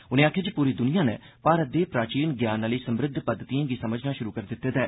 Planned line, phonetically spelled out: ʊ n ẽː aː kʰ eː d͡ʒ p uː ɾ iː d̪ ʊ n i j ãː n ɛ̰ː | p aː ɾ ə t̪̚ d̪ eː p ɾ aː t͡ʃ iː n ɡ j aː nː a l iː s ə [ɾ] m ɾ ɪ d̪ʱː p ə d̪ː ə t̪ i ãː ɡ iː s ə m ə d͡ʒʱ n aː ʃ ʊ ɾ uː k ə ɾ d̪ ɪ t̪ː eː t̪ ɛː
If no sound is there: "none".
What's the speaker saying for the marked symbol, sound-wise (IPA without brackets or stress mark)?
none